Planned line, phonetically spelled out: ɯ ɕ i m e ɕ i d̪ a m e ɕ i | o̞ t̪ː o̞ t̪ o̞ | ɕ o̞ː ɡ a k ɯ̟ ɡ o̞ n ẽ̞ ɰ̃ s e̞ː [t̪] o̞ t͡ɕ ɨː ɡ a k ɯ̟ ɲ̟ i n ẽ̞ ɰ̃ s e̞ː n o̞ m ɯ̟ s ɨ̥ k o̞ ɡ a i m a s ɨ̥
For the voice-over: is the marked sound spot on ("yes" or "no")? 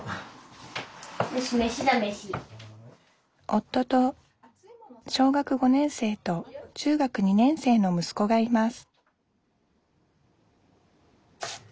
yes